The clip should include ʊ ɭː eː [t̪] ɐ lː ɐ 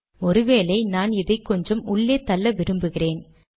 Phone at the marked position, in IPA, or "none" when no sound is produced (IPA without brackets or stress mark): t̪